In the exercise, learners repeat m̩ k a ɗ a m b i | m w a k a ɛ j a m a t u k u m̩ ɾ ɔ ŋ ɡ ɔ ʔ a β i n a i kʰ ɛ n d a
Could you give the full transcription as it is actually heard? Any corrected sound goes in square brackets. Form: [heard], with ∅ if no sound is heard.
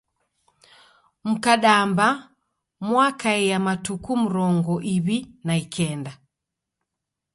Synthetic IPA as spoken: m̩ k a ɗ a m b [a] | m w a k a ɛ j a m a t u k u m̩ ɾ ɔ ŋ ɡ ɔ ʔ [i] β i n a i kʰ ɛ n d a